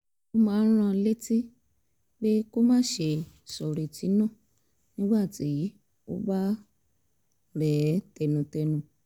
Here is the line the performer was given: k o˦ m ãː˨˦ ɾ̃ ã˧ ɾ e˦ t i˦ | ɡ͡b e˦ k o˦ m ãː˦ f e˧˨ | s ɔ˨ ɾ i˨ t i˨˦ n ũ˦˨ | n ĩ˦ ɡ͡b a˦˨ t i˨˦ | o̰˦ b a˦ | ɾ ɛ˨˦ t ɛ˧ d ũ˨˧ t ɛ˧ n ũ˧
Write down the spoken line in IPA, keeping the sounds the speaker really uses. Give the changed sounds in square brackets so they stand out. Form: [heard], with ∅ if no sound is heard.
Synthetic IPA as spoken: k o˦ m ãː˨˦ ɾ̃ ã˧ [l] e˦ t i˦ | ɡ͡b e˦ k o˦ m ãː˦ [ʃ] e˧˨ | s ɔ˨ ɾ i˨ t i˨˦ n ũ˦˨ | n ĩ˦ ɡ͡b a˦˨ t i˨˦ | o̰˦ b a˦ | ɾ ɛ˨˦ t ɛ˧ [n] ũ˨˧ t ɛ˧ n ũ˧

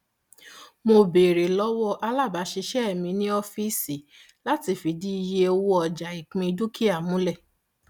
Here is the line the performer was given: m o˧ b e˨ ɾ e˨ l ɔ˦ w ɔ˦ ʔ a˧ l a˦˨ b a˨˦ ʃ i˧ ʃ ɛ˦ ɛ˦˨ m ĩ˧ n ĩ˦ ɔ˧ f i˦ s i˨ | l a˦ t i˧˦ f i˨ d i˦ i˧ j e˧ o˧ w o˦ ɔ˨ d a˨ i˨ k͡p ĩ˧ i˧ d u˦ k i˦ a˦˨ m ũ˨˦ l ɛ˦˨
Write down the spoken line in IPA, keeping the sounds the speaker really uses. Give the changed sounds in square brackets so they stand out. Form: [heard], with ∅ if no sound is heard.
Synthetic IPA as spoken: m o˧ b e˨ ɾ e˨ l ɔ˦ w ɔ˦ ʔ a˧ l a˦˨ b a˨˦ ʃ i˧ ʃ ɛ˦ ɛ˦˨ m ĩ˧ n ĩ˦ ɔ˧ f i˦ s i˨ | l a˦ t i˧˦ f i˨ d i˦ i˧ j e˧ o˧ w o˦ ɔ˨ [d͡ʒ] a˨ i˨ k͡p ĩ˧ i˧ d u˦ k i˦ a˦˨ m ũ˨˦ l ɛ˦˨

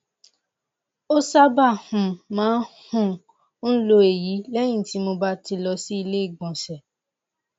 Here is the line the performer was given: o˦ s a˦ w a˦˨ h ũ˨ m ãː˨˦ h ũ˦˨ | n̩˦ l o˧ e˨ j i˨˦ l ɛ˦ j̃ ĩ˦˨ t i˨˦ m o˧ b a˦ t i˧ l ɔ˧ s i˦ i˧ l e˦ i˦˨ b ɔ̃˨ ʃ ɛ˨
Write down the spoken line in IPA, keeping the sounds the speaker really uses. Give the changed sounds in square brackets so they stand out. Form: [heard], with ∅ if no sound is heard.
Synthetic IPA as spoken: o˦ s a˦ [b] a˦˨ h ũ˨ m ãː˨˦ h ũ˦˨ | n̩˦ l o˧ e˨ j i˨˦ l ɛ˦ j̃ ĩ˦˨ t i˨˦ m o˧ b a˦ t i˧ l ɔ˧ s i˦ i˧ l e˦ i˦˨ [ɡ͡b] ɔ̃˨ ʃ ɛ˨

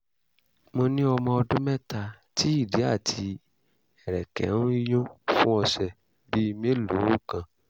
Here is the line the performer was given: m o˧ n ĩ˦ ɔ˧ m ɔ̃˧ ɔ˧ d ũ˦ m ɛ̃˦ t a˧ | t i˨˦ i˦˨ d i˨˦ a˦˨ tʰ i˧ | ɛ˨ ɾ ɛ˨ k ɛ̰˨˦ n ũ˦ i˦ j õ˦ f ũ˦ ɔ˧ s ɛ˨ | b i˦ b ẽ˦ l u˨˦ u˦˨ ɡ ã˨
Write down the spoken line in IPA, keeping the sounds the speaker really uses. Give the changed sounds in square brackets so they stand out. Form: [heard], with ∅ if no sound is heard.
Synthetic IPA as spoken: m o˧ n ĩ˦ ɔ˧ m ɔ̃˧ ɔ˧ d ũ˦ m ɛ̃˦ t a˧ | t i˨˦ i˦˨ d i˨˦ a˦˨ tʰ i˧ | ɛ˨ ɾ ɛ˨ k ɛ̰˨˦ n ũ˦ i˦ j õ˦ f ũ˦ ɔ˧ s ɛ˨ | b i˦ [m] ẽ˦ l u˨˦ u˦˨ [k] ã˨

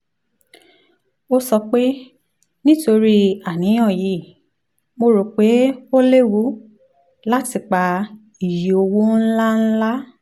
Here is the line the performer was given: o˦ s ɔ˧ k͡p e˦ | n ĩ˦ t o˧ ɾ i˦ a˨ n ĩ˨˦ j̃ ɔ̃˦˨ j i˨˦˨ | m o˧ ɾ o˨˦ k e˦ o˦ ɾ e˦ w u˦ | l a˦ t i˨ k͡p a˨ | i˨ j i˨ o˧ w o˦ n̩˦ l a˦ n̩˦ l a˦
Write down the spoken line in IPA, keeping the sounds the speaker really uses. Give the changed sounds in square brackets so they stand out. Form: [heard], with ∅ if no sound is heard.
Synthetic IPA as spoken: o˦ s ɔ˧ k͡p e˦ | n ĩ˦ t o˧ ɾ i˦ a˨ n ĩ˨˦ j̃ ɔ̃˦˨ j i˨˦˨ | m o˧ ɾ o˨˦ [k͡p] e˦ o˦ [l] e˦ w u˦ | l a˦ t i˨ k͡p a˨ | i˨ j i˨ o˧ w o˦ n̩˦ l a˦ n̩˦ l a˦

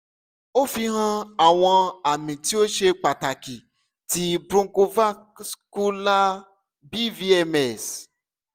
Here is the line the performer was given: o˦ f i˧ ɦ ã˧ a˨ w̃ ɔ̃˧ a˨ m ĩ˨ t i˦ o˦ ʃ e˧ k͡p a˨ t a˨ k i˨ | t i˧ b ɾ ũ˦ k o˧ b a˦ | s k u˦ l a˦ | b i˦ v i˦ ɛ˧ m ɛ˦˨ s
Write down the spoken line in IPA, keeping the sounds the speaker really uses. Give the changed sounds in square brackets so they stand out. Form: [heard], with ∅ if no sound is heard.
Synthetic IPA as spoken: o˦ f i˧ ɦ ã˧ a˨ w̃ ɔ̃˧ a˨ m ĩ˨ t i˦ o˦ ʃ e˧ k͡p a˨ t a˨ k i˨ | t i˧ b ɾ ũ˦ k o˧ [v] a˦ | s k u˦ l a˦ | b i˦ v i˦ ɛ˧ m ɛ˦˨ s

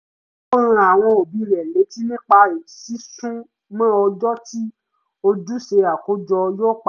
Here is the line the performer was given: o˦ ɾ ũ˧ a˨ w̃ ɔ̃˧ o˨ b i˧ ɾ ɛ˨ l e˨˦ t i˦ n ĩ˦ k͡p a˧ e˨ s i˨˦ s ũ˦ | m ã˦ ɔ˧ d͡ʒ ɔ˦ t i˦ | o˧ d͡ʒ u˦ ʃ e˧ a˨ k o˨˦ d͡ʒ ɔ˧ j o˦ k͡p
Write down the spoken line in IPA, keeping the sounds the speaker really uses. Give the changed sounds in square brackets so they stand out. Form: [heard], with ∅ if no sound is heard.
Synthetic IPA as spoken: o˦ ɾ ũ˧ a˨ w̃ ɔ̃˧ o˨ b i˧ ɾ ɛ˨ l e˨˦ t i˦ n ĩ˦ k͡p a˧ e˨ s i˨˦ s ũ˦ | m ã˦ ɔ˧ d͡ʒ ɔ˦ t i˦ | o˧ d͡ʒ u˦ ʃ e˧ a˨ k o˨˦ d͡ʒ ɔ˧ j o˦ k͡p

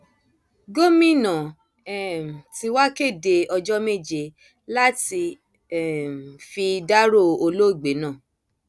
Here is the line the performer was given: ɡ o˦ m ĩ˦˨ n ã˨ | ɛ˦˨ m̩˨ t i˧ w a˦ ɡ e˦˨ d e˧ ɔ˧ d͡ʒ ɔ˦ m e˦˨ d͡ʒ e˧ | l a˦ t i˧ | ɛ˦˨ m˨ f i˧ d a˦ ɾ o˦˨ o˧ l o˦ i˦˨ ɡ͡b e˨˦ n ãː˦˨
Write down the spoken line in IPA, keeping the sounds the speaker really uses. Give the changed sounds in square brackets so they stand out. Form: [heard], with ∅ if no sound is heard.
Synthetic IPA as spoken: ɡ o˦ m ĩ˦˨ n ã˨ | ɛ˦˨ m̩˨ t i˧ w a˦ [k] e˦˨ d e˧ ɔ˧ d͡ʒ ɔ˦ m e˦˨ d͡ʒ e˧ | l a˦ t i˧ | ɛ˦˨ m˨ f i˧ d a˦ ɾ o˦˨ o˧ l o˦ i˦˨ ɡ͡b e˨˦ n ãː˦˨

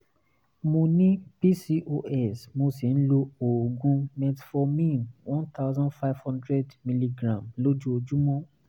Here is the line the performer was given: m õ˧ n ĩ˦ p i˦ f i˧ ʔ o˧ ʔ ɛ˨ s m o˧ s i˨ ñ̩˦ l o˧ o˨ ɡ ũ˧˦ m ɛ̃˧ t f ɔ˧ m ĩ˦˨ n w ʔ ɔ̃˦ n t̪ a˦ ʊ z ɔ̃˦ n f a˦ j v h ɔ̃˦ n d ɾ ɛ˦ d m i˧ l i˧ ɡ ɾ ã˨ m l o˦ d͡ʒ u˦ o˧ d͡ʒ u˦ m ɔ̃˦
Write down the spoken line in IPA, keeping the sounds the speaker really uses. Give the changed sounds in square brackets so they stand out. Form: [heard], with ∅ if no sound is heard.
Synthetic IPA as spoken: m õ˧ n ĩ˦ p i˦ [s] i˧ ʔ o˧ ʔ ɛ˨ s m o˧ s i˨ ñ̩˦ l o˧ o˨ ɡ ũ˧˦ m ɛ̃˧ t f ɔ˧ m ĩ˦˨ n w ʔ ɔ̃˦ n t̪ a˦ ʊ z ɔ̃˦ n f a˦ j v h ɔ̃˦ n d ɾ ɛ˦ d m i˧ l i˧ ɡ ɾ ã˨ m l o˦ d͡ʒ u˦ o˧ d͡ʒ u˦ m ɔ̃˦

